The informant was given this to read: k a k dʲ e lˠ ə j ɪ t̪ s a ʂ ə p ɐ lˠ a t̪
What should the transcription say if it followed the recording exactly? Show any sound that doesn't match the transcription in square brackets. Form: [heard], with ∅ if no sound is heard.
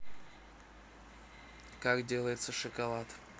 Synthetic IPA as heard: k a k dʲ e lˠ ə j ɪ t̪ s [ə] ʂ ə [k] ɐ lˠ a t̪